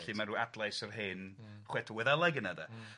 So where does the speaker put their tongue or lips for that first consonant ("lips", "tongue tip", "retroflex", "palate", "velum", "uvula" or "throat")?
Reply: tongue tip